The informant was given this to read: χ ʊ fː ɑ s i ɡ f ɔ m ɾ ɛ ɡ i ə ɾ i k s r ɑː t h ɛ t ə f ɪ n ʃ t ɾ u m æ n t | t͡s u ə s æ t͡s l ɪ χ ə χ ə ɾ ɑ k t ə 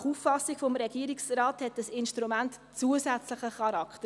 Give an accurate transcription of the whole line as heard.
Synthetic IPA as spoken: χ u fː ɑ s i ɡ f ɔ m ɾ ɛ ɡ i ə ɾ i k s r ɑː t h ɛ t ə s ɪ n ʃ t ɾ u m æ n t | t͡s u ə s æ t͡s l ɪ χ ə χ ɑ ɾ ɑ k t ə

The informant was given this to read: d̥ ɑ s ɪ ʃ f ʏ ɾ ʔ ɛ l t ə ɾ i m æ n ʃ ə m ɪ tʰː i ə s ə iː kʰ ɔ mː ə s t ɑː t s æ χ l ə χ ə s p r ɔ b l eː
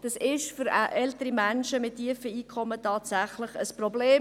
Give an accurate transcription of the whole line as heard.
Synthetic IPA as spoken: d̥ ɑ s ɪ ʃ f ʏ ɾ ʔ ɛ l t ə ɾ i m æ n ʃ ə m ɪ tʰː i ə f ə iː kʰ ɔ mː ə t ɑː t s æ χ l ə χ ə s p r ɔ b l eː

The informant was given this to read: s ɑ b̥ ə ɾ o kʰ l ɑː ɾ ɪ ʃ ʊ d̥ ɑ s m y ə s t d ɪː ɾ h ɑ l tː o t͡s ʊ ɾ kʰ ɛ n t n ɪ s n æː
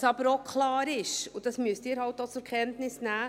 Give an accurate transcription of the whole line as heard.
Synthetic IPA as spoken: s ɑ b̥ ə ɾ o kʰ l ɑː ɾ ɪ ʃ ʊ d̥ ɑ s m y ə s t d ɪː ɾ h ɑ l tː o t͡s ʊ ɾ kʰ ɛ n t n ɪ s n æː

